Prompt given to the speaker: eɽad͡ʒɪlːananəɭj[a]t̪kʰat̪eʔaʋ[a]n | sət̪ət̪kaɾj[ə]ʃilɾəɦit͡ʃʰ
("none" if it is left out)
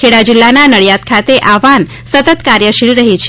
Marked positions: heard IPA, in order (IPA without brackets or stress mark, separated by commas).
a, a, ə